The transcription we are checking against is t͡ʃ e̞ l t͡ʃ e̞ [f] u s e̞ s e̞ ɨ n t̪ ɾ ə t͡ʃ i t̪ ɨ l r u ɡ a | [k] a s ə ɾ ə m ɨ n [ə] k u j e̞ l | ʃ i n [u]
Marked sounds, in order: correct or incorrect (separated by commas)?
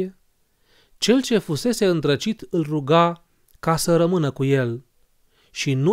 correct, correct, correct, correct